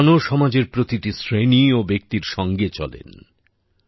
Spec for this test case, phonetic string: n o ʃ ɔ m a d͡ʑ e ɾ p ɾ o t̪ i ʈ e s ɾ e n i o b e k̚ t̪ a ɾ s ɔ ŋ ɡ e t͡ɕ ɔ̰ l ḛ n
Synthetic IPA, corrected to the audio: n o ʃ ɔ m a d͡ʑ e ɾ p ɾ o t̪ i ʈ i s ɾ e n i o b e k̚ t̪ i ɾ ʃ ɔ ŋ ɡ e t͡ɕ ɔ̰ l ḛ n